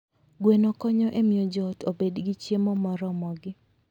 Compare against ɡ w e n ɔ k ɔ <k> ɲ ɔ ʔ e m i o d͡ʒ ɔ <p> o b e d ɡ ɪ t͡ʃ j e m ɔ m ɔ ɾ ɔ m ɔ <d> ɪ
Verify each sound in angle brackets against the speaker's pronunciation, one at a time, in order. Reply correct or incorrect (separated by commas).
incorrect, incorrect, incorrect